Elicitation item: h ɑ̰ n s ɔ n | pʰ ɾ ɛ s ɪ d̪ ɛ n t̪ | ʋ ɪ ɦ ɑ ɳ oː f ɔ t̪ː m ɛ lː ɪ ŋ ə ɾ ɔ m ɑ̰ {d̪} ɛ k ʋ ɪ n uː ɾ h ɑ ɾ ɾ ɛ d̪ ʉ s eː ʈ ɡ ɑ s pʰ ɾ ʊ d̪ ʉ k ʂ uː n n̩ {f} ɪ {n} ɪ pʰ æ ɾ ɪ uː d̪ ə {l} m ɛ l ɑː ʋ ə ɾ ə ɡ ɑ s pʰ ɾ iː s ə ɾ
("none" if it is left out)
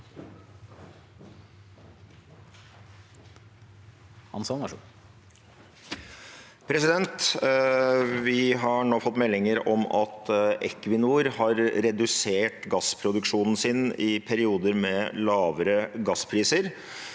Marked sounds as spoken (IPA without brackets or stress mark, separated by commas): t̪, s, n, ɾ